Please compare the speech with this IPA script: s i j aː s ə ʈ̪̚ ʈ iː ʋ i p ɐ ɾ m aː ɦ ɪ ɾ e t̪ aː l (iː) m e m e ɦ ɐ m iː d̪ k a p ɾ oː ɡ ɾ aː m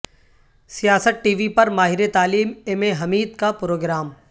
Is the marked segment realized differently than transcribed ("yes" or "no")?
no